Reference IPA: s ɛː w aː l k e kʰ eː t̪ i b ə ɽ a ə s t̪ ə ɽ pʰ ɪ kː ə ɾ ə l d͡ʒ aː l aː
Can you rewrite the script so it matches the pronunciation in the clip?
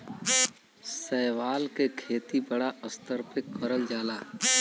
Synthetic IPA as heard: s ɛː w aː l k e kʰ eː t̪ i b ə ɽ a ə s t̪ ə ɾ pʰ ɪ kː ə ɾ ə l d͡ʒ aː l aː